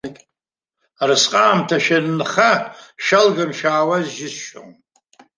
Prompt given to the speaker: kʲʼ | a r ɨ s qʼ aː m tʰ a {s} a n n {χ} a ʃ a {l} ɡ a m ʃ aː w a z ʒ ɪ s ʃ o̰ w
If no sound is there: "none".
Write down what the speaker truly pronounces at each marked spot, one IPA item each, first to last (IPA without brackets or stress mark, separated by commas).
ʃ, χ, l